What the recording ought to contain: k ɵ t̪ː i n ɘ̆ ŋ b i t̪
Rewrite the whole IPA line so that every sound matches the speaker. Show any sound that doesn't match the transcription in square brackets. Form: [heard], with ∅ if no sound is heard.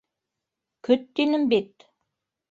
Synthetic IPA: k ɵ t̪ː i n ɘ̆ [m] b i t̪